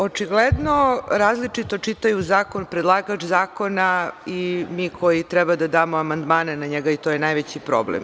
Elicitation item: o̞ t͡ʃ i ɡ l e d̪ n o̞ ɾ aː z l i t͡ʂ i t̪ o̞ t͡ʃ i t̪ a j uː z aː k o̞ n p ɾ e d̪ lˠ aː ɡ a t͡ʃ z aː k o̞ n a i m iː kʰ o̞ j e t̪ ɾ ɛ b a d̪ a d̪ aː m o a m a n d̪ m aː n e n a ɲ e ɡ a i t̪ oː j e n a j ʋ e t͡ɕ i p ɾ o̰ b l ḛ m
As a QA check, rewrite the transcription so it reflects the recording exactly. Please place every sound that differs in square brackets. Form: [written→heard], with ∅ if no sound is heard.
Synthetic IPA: o̞ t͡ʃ i ɡ l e d̪ n o̞ ɾ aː z l i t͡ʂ i t̪ o̞ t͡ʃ i t̪ a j [uː→u] z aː k o̞ n p ɾ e d̪ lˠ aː ɡ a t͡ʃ z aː k o̞ n a i m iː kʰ o̞ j [e→i] t̪ ɾ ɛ b a d̪ a d̪ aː m o a m a n d̪ m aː n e n a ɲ e ɡ a i t̪ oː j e n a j ʋ e t͡ɕ i p ɾ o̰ b l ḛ m